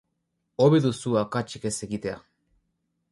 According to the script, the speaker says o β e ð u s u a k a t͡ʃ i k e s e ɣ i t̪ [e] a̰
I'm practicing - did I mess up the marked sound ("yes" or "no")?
no